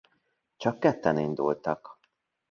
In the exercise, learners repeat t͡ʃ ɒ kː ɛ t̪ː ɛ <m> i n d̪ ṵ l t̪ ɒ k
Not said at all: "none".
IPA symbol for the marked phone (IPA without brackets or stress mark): n